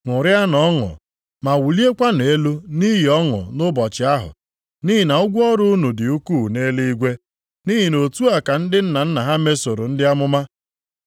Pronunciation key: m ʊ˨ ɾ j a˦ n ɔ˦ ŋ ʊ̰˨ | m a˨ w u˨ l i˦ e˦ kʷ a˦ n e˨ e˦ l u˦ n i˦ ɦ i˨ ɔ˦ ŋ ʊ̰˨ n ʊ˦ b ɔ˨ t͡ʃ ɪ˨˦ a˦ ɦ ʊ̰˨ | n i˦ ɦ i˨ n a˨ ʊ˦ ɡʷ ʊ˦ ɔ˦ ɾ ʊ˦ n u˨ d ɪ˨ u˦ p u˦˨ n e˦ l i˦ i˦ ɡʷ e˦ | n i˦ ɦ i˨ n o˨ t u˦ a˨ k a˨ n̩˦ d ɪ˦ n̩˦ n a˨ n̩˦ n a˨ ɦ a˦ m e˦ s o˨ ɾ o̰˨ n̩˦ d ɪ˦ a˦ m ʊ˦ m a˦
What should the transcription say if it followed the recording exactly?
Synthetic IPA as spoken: ŋ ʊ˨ ɾ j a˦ n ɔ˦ ŋ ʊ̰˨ | m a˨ w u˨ l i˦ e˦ kʷ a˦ n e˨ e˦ l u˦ n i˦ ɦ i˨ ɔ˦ ŋ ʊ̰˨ n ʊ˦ b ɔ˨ t͡ʃ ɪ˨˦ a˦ ɦ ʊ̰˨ | n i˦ ɦ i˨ n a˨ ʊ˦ ɡʷ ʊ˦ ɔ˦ ɾ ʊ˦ n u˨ d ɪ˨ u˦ k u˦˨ n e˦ l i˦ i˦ ɡʷ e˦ | n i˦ ɦ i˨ n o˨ t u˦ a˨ k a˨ n̩˦ d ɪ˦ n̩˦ n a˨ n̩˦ n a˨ ɦ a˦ m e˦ s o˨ ɾ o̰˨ n̩˦ d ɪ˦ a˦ m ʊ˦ m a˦